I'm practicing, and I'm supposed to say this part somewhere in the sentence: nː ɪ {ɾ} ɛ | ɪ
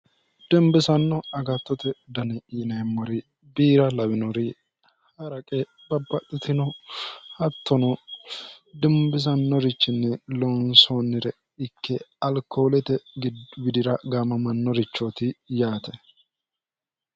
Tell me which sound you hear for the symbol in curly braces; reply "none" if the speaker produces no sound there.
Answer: ɾ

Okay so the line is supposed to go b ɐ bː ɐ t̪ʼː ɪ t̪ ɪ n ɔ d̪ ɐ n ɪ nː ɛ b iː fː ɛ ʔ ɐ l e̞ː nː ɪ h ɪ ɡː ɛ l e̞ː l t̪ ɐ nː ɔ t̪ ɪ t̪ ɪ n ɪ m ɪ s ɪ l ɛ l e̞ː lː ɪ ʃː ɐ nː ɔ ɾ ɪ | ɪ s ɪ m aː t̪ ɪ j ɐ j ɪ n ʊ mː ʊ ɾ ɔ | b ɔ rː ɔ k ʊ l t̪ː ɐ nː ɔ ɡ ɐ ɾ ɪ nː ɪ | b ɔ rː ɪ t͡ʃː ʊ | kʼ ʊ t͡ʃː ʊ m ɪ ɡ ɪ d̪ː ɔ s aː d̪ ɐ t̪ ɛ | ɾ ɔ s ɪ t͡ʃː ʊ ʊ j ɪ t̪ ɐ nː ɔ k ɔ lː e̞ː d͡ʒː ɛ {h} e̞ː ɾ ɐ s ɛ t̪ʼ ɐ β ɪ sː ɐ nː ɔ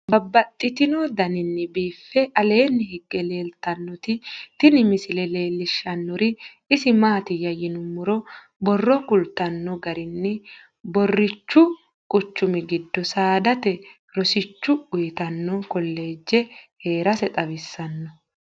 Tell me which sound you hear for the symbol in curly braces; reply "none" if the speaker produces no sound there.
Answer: h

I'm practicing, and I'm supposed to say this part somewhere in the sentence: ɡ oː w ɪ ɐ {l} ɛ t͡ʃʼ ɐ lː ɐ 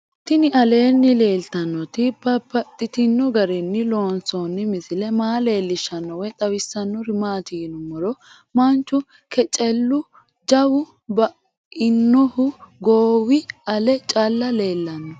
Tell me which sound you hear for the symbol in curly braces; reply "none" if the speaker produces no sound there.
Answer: l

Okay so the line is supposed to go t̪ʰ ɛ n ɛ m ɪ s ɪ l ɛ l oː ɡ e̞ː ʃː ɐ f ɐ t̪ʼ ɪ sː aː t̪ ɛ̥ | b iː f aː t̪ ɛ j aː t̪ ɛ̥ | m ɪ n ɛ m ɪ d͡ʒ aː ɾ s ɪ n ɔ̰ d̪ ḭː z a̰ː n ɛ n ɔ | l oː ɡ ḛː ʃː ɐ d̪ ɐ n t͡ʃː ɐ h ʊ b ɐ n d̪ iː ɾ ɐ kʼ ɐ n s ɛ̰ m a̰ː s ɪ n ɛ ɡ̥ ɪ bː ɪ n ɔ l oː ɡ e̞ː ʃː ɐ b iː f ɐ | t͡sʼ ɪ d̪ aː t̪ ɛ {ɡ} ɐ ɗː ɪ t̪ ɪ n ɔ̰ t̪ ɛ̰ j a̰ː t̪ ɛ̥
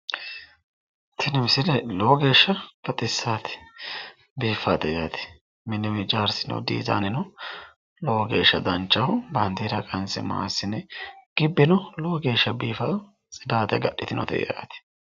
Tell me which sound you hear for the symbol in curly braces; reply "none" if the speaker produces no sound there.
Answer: ɡ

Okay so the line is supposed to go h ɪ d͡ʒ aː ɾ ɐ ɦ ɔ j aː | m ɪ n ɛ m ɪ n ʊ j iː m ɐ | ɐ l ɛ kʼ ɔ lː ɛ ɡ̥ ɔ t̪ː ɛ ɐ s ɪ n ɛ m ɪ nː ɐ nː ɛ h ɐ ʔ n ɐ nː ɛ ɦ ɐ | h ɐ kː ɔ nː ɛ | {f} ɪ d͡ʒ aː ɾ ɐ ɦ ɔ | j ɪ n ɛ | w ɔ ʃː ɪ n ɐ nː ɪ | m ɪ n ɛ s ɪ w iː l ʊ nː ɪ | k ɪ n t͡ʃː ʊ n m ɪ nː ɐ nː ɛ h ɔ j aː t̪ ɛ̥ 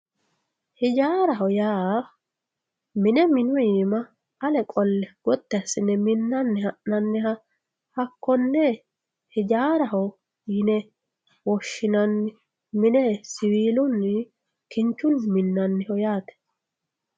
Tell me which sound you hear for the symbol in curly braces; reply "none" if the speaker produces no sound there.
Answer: h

